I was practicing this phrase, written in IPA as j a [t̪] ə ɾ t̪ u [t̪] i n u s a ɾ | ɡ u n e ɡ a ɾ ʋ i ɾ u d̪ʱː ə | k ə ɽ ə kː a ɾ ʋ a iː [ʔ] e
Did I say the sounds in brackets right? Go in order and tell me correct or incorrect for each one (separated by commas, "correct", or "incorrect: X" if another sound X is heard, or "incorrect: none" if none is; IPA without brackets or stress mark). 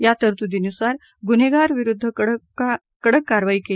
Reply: correct, incorrect: d̪, incorrect: k